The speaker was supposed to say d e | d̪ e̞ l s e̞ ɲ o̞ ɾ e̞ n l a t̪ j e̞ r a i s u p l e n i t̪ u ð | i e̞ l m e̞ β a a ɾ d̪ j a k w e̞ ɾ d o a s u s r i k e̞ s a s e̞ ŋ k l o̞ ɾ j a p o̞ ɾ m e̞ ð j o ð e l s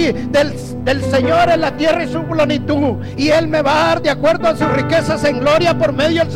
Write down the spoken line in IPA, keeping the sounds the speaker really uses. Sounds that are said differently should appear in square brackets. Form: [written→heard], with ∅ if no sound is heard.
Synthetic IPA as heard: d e | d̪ e̞ l s e̞ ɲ o̞ ɾ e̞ n l a t̪ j e̞ r a i s u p l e n i t̪ u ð | i e̞ l m e̞ β a a ɾ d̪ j a k w e̞ ɾ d o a s u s r i k e̞ s a s e̞ ŋ [k→ɡ] l o̞ ɾ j a p o̞ ɾ m e̞ ð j o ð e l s